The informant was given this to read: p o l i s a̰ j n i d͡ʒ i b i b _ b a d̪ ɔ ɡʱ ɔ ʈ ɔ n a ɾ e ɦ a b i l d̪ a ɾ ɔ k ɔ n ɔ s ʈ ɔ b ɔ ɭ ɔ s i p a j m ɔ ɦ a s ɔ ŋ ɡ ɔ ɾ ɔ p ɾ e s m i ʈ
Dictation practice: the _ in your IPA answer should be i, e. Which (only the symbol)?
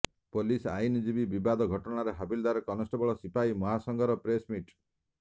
i